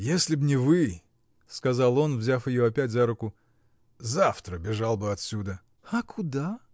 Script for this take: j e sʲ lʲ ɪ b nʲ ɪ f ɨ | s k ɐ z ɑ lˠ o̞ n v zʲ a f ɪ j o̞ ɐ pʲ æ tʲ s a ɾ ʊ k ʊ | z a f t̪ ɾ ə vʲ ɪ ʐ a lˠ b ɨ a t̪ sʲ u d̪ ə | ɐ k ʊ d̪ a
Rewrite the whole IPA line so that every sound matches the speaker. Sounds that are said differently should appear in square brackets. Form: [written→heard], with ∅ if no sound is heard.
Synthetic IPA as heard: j e sʲ lʲ ɪ b nʲ ɪ [f→v] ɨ | s k ɐ z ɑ lˠ o̞ n v zʲ a f ɪ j o̞ ɐ pʲ æ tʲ [s→z] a ɾ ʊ k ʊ | z a f t̪ ɾ ə [vʲ→bʲ] ɪ ʐ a lˠ b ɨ [a→ɐ] t̪ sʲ u d̪ ə | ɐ k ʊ d̪ a